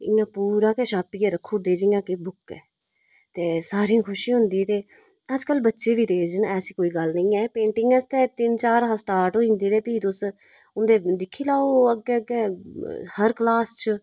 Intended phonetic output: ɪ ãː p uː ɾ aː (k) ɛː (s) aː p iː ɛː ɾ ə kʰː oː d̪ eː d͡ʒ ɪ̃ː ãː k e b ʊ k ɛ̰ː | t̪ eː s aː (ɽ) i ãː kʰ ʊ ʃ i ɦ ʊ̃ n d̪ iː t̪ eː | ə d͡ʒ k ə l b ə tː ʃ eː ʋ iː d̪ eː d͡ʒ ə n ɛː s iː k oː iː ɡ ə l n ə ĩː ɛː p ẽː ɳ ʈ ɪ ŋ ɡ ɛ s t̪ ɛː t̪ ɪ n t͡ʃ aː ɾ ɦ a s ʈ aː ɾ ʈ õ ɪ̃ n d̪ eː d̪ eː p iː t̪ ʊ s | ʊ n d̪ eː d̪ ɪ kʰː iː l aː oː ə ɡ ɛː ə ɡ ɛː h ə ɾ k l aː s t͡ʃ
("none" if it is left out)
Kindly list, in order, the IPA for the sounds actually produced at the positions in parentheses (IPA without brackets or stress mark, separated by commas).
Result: k, ʃ, ɾ